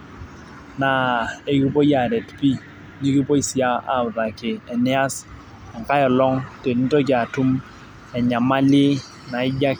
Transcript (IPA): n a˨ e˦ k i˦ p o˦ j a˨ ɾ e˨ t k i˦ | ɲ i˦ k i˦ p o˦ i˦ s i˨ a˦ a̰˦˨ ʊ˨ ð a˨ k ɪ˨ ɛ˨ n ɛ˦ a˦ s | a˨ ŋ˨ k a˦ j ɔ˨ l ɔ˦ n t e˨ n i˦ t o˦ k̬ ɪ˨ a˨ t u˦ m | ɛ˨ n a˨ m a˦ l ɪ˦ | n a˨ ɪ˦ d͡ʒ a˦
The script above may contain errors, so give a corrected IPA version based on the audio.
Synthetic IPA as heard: n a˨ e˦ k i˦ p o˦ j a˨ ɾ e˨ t p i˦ | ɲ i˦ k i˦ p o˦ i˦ s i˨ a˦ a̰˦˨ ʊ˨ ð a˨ k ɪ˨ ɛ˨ n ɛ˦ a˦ s | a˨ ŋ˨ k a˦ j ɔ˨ l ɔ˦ ŋ t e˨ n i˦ t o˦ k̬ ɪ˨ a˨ t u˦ m | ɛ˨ ɲ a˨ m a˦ l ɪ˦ | n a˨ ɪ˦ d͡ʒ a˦